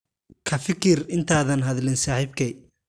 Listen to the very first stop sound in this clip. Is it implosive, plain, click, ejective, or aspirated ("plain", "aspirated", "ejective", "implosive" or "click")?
aspirated